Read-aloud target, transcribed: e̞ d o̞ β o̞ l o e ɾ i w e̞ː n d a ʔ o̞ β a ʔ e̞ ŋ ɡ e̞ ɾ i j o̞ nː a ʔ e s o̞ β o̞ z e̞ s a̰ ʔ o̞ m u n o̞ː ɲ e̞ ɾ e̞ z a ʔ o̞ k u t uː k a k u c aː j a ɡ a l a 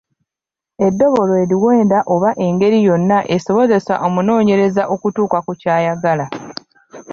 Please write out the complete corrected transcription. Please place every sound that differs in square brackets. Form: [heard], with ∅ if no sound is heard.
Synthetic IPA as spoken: e̞ [dː] o̞ β o̞ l o e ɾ i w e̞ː n d a ʔ o̞ β a ʔ e̞ ŋ ɡ e̞ ɾ i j o̞ nː a ʔ e s o̞ β o̞ z e̞ s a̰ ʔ o̞ m u n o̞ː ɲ e̞ ɾ e̞ z a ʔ o̞ k u t uː k a k u c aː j a ɡ a l a